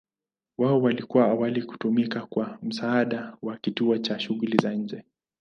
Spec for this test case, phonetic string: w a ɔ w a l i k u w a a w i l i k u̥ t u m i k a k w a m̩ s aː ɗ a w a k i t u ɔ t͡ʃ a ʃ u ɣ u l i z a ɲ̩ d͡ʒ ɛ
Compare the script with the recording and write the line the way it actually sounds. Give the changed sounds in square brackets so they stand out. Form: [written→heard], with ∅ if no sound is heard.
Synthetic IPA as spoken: w a ɔ w a l i k u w a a w [i→a] l i k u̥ t u m i k a k w a m̩ s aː ɗ a w a k i t u ɔ t͡ʃ a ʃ u ɣ u l i z a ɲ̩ d͡ʒ ɛ